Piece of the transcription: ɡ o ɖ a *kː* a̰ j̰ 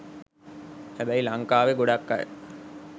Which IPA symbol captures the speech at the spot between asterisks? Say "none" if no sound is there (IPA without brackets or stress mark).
kː